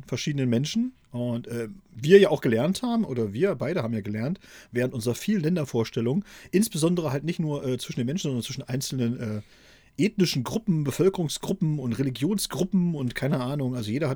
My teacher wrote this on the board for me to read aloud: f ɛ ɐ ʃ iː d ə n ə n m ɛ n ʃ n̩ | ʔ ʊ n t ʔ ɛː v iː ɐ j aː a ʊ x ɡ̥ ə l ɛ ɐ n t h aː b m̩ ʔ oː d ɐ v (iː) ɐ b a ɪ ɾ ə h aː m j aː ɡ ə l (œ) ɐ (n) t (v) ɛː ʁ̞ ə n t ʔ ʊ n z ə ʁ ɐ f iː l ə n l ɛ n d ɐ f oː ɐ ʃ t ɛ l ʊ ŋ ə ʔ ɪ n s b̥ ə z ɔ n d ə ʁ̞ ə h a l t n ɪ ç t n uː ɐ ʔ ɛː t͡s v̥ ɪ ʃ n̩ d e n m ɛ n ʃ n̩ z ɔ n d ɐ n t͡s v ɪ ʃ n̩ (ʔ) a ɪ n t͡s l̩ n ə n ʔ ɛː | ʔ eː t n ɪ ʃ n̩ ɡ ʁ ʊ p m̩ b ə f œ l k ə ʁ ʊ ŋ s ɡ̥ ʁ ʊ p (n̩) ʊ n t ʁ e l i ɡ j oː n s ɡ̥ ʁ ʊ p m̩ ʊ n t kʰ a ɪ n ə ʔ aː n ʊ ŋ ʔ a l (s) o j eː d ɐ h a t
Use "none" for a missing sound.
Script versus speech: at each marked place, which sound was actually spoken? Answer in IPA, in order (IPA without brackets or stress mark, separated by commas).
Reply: iː, ɛ, n, v, ʔ, m̩, z